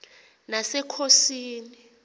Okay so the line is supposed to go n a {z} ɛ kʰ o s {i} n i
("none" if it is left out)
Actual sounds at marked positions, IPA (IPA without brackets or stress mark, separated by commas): s, iː